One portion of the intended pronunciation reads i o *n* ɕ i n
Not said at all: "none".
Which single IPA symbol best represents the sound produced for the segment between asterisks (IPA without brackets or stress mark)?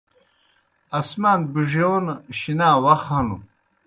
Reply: n